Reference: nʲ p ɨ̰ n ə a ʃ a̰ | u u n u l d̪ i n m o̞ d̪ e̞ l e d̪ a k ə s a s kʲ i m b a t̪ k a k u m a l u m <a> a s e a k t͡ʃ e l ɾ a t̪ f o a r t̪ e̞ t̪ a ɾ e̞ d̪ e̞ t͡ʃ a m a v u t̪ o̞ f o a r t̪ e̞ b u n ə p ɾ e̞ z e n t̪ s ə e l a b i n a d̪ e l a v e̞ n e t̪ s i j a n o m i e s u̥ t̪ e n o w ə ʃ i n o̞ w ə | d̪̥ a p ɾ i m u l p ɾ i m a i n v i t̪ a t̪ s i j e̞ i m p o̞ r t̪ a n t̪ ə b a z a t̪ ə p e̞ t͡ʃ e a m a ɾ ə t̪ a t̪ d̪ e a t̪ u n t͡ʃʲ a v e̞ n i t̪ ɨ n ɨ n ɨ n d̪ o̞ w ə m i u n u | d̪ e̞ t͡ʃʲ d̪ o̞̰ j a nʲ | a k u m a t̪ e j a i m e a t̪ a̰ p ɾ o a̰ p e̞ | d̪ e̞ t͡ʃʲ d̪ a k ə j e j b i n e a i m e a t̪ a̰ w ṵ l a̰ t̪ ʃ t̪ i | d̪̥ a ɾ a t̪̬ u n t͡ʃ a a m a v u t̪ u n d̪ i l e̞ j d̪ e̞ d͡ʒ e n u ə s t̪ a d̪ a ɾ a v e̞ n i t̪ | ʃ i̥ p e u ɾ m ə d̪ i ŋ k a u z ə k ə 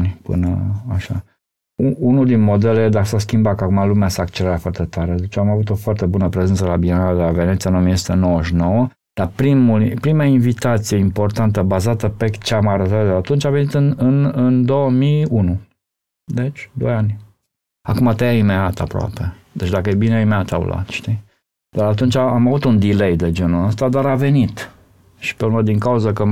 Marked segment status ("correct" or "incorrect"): incorrect